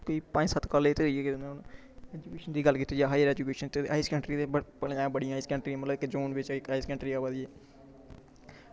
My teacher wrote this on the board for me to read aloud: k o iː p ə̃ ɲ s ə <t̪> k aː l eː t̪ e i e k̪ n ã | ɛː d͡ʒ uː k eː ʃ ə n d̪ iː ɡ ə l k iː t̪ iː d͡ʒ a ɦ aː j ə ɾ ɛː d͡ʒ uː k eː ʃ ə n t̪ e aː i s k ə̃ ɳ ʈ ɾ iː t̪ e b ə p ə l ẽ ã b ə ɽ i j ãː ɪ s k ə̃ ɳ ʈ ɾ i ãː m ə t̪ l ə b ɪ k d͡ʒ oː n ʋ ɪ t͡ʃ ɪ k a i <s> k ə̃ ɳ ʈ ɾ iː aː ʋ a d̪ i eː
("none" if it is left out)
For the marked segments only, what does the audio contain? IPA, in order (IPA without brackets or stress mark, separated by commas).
t̪, s